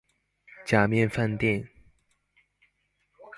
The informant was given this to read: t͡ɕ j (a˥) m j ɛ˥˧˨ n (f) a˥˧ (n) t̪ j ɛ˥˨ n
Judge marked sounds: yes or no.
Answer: no, yes, yes

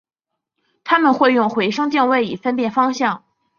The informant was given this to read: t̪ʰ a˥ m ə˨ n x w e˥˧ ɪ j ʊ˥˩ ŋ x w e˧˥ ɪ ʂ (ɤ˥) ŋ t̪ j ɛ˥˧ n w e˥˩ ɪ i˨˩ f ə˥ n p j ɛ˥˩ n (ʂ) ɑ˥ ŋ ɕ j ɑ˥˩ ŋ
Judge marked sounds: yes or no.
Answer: yes, no

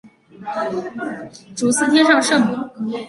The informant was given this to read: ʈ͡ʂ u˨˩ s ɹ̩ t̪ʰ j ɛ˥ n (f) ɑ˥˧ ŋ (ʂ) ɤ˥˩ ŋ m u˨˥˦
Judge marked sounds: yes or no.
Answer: no, yes

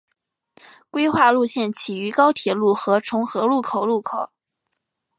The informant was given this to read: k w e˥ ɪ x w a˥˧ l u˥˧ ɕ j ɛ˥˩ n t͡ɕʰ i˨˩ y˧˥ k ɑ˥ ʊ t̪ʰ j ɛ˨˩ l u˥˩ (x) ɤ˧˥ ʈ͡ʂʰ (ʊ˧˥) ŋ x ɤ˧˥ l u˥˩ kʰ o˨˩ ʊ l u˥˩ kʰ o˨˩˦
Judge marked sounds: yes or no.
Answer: yes, yes

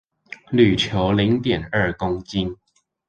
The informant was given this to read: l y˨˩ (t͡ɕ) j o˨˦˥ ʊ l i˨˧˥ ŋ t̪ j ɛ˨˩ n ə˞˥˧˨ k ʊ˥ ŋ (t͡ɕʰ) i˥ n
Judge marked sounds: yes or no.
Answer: no, no

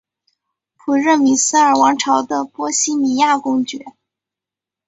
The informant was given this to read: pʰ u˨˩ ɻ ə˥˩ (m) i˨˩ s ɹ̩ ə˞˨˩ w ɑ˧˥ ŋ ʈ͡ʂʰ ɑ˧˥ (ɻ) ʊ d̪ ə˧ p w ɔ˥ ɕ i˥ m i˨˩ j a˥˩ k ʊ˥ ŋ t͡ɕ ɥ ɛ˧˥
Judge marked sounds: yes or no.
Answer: yes, no

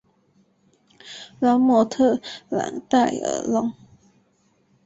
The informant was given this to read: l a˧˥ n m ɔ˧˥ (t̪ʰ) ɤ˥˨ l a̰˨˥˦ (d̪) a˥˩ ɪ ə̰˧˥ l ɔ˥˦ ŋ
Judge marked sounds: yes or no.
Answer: yes, no

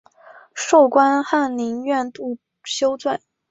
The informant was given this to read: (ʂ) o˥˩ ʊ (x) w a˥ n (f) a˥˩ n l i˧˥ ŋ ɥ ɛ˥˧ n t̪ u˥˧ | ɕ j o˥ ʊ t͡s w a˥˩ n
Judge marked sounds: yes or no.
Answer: yes, no, no

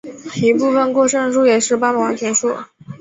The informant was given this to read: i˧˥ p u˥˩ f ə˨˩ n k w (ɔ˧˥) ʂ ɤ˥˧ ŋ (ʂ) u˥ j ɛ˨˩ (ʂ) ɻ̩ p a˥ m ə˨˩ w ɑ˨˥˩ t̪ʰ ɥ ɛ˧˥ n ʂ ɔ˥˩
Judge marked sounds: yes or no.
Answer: no, yes, yes

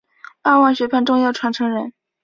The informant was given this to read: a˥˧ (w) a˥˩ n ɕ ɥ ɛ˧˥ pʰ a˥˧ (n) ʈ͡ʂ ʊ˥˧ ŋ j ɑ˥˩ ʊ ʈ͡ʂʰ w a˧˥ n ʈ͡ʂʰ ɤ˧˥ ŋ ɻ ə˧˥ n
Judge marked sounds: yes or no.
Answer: yes, yes

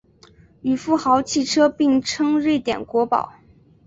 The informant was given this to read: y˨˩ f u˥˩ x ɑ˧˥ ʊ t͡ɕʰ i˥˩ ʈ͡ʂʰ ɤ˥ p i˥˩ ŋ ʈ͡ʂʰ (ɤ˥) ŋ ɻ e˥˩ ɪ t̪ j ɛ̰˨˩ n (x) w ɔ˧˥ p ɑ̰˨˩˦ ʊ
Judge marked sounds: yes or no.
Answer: yes, no

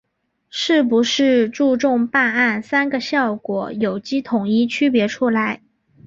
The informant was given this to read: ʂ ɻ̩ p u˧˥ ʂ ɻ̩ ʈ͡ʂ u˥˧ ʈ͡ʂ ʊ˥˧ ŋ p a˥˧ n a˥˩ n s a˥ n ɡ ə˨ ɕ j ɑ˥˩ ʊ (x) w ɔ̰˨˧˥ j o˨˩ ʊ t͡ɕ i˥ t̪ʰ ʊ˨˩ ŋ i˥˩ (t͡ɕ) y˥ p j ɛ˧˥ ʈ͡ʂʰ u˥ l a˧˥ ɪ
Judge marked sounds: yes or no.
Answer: no, no

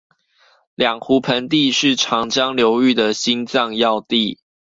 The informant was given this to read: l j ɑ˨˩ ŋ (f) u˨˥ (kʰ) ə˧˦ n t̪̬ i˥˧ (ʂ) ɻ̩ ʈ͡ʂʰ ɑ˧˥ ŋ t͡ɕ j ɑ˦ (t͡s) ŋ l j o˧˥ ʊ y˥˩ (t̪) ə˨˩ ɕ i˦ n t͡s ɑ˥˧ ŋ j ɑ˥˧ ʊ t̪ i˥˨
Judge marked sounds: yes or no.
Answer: no, no, yes, no, no

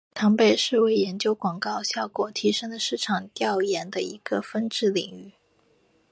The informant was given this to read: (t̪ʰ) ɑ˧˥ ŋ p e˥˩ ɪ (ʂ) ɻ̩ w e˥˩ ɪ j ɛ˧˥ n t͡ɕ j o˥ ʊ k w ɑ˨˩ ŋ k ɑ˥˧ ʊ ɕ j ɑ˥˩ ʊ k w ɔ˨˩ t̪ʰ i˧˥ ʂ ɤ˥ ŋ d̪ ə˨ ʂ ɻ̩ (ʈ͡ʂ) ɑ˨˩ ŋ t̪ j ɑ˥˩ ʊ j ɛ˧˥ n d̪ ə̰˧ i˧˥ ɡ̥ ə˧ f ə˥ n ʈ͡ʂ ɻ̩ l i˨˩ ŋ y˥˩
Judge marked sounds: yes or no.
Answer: yes, yes, no

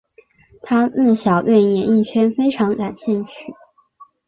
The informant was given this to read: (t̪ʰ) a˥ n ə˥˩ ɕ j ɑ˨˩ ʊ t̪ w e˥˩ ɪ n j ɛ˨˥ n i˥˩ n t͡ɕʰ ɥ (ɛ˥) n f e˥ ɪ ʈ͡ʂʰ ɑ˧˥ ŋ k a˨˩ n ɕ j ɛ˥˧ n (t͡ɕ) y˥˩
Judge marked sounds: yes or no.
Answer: yes, yes, no

